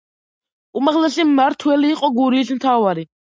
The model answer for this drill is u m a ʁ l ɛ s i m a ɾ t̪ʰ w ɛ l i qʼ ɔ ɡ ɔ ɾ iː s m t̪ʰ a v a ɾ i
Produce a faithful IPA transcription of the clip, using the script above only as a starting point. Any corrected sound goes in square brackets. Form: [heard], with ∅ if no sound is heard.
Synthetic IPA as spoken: u m a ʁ l ɛ s i m a ɾ t̪ʰ w ɛ l [iː] qʼ ɔ ɡ [u] ɾ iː s m t̪ʰ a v a ɾ i